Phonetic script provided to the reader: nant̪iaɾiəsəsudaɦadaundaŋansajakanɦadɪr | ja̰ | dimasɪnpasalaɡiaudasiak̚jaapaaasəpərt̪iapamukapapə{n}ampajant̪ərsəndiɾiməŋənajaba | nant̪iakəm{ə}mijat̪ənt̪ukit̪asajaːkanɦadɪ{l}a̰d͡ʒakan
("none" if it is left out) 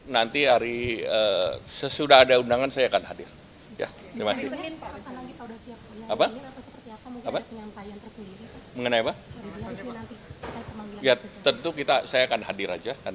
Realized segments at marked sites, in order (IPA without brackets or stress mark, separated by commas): ɲ, a, ɾ